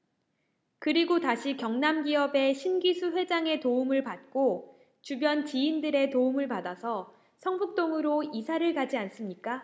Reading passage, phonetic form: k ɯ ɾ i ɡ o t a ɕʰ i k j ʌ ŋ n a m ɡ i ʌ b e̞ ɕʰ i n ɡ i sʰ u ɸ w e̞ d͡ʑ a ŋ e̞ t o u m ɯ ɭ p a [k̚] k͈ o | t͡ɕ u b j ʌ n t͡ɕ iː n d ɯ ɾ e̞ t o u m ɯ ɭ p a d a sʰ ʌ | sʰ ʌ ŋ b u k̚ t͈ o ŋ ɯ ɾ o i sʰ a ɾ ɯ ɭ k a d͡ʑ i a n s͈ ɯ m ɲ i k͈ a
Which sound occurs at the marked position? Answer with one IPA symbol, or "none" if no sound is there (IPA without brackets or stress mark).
t̚